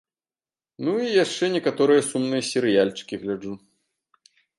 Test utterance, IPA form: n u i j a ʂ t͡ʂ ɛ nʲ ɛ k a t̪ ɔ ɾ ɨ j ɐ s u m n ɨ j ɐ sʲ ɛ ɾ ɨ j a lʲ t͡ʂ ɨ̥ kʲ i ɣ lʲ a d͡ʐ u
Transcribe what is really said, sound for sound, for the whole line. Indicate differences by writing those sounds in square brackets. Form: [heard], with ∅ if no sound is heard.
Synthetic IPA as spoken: n u i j a ʂ t͡ʂ ɛ nʲ ɛ k a t̪ ɔ ɾ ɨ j ɐ s u m n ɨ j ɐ sʲ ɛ ɾ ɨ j a lʲ t͡ʂ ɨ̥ kʲ i ɣ lʲ a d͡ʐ u